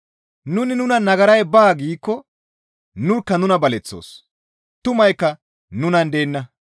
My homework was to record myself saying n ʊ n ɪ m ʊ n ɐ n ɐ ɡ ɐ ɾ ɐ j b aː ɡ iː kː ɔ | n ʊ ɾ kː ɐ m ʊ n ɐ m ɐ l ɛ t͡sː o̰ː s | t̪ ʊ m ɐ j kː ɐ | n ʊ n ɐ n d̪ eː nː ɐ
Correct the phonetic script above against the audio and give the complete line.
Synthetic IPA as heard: n ʊ n ɪ n ʊ n ɐ n ɐ ɡ ɐ ɾ ɐ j b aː ɡ iː kː ɔ | n ʊ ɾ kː ɐ n ʊ n ɐ b ɐ l ɛ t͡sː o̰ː s | t̪ ʊ m ɐ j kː ɐ | n ʊ n ɐ n d̪ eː nː ɐ